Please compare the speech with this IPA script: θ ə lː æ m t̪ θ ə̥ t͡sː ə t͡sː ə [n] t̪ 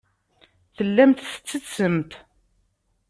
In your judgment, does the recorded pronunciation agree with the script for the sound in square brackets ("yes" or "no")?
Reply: no